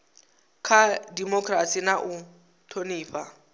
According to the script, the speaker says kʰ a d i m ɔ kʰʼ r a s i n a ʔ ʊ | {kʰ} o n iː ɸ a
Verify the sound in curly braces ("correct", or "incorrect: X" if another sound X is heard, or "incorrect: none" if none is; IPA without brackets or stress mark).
incorrect: tʰ